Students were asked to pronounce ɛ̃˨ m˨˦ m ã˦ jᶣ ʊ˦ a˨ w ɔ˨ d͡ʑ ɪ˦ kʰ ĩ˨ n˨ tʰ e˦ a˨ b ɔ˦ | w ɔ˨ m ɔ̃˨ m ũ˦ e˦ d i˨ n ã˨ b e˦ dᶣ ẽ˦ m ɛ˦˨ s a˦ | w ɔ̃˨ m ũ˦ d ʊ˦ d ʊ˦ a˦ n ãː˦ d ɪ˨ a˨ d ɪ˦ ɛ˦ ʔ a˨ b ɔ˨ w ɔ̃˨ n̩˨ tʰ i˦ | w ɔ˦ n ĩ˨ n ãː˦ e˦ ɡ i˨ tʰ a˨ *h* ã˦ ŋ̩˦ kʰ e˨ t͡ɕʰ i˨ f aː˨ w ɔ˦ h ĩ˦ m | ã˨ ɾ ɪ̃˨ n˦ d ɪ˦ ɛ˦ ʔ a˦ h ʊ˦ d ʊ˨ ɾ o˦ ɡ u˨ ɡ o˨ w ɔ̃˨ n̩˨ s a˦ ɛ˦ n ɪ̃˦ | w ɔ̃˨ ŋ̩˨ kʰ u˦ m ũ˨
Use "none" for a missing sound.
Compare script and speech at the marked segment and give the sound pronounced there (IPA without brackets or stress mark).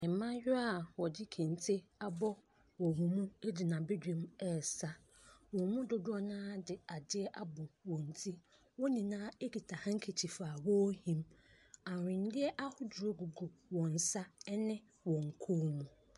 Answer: h